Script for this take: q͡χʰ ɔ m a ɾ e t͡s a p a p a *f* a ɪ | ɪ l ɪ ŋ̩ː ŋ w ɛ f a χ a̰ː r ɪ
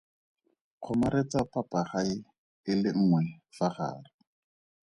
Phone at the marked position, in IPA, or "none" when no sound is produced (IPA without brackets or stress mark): χ